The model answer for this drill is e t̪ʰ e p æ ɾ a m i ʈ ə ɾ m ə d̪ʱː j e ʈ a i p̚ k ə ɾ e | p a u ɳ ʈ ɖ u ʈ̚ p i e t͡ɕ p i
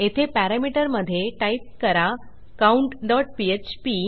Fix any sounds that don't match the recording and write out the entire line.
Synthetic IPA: e t̪ʰ e p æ ɾ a m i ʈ ə ɾ m ə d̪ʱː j e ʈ a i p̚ k ə ɾ a | k a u ɳ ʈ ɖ ɔ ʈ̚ p i e t͡ɕ p i